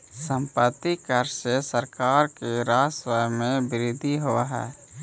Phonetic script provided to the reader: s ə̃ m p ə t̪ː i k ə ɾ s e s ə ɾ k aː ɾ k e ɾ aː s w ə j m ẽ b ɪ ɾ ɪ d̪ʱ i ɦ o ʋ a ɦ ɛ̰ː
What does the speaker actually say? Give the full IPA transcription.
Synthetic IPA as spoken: s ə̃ m p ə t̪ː i k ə ɾ s e s ə ɾ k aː ɾ k e ɾ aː s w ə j m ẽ b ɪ ɾ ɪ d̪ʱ i ɦ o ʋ a ɦ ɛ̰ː